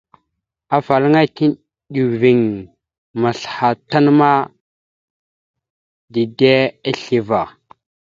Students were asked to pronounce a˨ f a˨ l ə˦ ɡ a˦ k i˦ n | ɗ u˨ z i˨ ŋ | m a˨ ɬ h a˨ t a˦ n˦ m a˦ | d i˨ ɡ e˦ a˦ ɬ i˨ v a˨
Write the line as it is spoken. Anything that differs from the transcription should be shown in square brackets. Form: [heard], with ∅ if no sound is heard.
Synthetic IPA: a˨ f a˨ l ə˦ [ŋ] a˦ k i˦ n | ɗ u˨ [v] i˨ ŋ | m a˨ ɬ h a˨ t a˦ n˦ m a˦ | d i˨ [d] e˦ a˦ ɬ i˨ v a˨